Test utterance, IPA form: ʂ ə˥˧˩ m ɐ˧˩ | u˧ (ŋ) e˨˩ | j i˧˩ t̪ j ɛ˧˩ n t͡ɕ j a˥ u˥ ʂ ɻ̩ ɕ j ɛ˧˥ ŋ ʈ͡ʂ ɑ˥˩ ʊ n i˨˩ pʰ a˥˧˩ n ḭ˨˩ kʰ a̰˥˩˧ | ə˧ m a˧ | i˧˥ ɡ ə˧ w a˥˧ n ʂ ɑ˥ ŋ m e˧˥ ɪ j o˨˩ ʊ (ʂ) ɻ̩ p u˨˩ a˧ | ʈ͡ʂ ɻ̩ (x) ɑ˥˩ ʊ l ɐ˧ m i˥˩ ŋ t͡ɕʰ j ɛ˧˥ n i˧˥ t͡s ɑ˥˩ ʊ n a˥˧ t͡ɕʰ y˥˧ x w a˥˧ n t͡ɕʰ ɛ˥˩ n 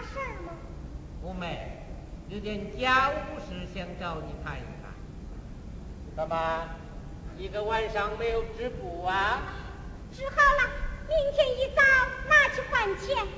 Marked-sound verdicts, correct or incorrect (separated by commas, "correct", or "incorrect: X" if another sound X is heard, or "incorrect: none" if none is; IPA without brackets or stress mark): incorrect: m, incorrect: ʈ͡ʂ, correct